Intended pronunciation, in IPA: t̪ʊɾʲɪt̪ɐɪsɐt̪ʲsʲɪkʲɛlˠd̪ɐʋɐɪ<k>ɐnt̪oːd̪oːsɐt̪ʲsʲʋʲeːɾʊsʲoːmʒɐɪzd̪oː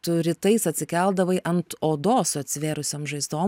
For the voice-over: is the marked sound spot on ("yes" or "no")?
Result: no